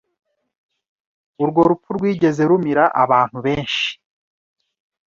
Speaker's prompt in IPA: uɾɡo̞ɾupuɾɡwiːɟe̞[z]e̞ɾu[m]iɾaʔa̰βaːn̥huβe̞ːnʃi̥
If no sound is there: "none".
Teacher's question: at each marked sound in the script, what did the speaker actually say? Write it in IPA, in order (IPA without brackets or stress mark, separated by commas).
z, m